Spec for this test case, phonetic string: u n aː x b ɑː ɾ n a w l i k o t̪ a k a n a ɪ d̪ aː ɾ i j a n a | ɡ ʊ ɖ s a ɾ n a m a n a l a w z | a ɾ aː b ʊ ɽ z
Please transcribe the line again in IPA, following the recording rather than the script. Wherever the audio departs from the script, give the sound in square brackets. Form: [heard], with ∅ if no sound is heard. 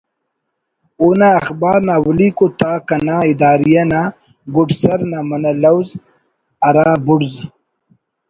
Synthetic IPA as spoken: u n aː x b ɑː ɾ n a w l i k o t̪ a k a n a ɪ d̪ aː ɾ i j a n a | ɡ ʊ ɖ s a ɾ n a m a n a l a w z | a ɾ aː b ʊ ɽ z

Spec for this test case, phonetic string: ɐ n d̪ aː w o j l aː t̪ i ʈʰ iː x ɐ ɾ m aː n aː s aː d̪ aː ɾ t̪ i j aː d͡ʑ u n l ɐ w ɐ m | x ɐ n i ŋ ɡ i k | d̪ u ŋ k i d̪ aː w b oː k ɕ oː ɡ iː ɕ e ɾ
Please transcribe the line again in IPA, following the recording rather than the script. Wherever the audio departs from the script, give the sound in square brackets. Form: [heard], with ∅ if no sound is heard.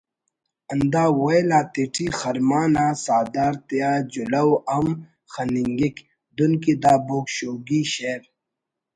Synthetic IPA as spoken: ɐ n d̪ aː w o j l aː t̪ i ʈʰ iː x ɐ ɾ m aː n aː s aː d̪ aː ɾ t̪ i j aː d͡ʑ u [∅] l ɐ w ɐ m | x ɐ n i ŋ ɡ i k | d̪ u [n] k i d̪ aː [∅] b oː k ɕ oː ɡ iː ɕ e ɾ

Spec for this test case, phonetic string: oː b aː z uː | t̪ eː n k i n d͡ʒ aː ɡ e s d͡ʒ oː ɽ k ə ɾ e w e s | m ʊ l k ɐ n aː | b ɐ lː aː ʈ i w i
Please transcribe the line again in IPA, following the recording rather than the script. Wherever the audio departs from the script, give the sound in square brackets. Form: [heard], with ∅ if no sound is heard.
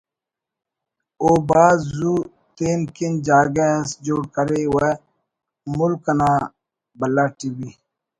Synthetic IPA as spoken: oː b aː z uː | t̪ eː n k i n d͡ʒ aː ɡ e s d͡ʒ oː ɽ k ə ɾ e w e [∅] | m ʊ l k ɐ n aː | b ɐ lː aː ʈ i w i

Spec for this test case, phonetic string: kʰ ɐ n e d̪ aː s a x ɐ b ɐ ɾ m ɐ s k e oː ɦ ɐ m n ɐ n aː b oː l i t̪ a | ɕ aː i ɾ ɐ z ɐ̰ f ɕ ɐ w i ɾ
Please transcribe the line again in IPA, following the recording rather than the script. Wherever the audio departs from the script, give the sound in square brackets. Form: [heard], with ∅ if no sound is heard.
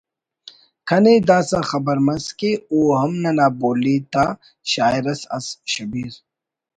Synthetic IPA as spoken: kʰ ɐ n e d̪ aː s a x ɐ b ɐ ɾ m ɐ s k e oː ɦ ɐ m n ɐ n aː b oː l i t̪ a | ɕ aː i ɾ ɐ [s] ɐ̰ [s] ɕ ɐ [b] i ɾ

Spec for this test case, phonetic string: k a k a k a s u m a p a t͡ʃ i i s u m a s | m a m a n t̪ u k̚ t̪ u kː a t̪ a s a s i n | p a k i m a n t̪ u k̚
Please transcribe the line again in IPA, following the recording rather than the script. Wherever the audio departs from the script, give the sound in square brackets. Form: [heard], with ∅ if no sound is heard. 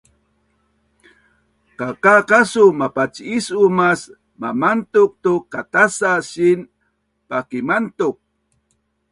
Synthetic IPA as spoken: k a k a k a s u m a p a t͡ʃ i i s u m a s | m a m a n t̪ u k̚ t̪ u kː a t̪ a s a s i n | p a k i m a n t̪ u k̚

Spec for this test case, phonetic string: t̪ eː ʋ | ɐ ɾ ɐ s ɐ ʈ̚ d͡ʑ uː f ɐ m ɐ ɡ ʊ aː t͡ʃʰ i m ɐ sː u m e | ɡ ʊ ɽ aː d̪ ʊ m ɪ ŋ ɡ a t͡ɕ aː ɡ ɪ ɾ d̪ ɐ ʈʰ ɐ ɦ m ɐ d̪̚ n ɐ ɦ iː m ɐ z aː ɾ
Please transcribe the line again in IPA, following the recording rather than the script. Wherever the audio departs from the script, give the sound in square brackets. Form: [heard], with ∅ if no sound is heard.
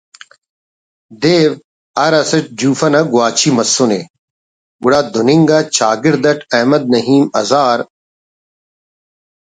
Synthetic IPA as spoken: [d̪] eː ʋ | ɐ ɾ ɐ s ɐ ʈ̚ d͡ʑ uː f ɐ [n] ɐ ɡ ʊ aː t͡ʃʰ i m ɐ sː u [n] e | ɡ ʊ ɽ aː d̪ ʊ [n] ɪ ŋ ɡ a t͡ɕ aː ɡ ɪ ɾ d̪ ɐ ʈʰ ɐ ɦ m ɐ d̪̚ n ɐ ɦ iː m ɐ z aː ɾ

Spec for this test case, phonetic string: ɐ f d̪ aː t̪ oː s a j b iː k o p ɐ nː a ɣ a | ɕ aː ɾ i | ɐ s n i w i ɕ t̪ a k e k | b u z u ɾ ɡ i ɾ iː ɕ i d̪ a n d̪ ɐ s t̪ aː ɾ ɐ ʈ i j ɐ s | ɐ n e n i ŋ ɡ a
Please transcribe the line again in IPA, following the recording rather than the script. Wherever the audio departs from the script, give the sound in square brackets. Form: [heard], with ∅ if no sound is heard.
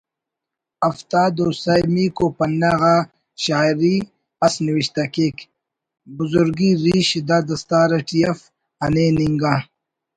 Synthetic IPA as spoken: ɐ f [t̪] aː [d̪] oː s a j [m] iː k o p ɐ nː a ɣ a | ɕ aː ɾ i | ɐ s n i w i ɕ t̪ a k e k | b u z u ɾ ɡ i ɾ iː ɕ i d̪ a [∅] d̪ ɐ s t̪ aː ɾ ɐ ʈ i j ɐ [f] | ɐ n e n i ŋ ɡ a

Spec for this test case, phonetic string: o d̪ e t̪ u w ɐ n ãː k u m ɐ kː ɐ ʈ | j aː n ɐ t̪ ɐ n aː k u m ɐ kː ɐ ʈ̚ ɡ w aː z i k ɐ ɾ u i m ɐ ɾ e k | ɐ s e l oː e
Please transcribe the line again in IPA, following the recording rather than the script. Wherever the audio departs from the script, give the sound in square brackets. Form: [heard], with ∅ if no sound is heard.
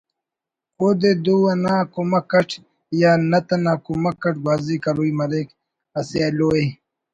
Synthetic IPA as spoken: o d̪ e [d̪] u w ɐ n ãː k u m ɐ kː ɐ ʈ | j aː n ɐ t̪ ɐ n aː k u m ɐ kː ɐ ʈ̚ ɡ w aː z i k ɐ ɾ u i m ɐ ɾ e k | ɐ s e l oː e

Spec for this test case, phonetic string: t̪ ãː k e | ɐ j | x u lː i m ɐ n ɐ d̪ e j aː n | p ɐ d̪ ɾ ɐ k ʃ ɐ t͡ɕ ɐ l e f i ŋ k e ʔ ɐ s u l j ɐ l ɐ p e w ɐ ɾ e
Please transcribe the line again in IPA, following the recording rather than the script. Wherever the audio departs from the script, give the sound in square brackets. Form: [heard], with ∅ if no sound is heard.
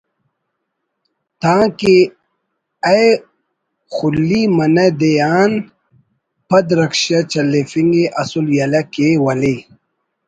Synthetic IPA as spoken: t̪ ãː k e | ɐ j | x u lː i m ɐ n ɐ d̪ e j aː n | p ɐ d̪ ɾ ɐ k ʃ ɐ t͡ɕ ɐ l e f i ŋ [ɡ] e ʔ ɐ s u l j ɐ l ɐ [k] e w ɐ [l] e

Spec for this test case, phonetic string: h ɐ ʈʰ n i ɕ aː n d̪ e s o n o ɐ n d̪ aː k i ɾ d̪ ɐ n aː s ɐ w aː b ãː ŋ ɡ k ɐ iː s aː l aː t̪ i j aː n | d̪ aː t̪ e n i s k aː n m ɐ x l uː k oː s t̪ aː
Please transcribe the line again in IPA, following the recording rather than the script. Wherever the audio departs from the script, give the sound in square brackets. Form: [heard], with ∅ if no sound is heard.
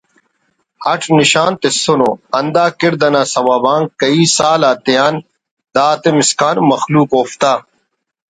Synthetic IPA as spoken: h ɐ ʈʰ n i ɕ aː n [t̪] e s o n o ɐ n d̪ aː k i ɾ d̪ ɐ n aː s ɐ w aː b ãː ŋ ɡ k ɐ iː s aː l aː t̪ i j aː n | d̪ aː t̪ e [m] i s k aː n m ɐ x l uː k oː [f] t̪ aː

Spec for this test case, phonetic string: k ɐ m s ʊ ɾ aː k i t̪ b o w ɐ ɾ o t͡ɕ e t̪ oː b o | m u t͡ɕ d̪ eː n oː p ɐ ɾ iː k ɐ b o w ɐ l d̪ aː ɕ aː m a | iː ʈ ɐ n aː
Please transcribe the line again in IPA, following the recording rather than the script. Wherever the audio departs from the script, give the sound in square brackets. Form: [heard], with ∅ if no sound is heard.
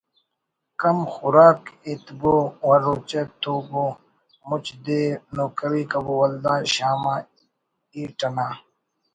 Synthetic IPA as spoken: k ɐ m [x] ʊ ɾ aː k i t̪ b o w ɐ ɾ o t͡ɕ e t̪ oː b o | m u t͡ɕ d̪ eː n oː [k] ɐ ɾ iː k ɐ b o w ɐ l d̪ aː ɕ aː m a | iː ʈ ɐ n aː

